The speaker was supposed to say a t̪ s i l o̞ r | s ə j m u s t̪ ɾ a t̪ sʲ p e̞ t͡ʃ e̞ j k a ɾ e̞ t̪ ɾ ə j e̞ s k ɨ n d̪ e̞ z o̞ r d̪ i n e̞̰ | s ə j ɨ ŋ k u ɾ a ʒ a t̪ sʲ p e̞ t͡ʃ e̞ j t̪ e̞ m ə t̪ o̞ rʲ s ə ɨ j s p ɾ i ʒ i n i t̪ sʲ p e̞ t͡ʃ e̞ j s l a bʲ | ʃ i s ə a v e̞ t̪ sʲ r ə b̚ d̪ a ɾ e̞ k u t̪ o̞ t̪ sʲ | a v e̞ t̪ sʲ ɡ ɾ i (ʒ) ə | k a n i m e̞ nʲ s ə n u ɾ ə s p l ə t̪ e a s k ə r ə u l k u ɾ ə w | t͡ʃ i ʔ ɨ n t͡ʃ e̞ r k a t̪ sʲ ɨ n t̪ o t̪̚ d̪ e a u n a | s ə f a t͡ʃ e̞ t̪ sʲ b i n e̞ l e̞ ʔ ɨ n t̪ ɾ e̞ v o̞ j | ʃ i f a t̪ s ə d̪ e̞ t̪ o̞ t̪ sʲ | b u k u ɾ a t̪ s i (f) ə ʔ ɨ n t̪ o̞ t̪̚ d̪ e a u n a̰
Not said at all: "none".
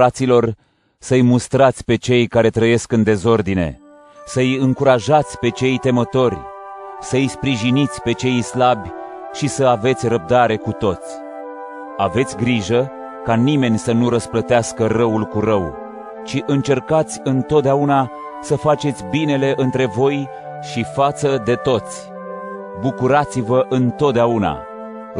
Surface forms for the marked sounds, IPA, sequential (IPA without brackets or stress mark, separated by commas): ʒ, v